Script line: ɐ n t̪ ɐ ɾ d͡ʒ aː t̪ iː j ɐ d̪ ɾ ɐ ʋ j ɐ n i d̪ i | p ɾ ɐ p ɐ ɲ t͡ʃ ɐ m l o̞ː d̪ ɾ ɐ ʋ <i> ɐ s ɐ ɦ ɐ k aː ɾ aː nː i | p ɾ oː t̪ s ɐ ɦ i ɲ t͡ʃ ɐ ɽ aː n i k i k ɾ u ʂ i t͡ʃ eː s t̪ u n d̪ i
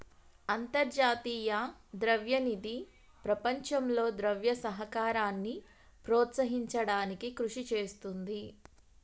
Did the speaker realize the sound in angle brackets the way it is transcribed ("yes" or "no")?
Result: no